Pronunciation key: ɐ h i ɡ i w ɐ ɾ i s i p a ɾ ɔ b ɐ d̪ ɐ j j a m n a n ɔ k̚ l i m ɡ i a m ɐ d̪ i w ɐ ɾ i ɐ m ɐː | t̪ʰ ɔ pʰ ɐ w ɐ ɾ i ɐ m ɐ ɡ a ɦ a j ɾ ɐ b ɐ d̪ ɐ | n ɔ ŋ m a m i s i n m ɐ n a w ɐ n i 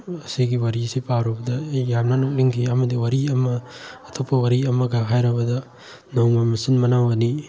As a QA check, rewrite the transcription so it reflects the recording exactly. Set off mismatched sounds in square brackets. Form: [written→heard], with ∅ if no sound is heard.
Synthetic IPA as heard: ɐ [h→s] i ɡ i w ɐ ɾ i s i p a ɾ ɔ b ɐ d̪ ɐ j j a m n a n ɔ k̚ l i [m→ŋ] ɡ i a m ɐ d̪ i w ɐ ɾ i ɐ m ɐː | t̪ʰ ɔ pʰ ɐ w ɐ ɾ i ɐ m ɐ ɡ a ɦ a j ɾ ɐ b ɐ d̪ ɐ | n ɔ ŋ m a m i s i n m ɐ n a w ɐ n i